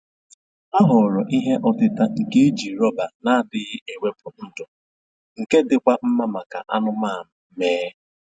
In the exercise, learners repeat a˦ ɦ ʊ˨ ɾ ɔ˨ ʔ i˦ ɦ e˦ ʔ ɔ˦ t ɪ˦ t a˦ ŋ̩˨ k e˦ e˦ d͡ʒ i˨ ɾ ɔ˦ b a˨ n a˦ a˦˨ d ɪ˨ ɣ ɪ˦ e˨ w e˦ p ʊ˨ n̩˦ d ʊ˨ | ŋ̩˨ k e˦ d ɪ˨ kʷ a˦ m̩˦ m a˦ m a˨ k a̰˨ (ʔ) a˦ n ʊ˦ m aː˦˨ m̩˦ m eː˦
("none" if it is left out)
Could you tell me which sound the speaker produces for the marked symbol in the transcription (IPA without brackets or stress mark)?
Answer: ʔ